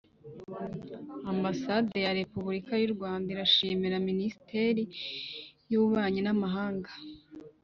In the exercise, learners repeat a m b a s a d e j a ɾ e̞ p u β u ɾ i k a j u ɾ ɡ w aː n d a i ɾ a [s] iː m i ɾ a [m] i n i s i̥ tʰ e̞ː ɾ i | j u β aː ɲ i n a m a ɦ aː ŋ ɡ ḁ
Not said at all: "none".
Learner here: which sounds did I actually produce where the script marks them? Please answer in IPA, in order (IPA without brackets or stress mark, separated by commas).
ʃ, m